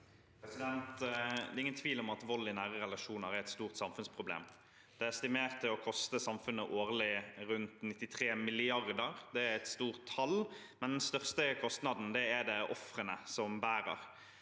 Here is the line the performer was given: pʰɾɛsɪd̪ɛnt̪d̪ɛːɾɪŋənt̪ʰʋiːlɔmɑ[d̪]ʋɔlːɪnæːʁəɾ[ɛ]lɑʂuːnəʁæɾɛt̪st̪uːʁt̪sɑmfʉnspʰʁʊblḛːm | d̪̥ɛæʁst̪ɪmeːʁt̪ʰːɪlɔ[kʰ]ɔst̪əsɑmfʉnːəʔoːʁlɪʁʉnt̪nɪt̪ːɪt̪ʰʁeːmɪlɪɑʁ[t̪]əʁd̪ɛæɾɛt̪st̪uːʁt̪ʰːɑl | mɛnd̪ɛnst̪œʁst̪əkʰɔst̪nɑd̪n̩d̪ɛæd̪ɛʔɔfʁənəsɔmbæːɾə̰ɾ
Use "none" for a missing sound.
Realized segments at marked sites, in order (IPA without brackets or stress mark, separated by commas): t̪, ɛ, kʰ, d̪